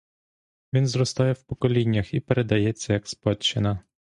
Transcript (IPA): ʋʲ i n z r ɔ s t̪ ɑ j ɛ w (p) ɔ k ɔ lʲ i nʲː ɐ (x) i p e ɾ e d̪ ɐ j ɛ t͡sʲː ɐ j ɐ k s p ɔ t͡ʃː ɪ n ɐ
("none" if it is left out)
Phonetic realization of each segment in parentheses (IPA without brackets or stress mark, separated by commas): p, x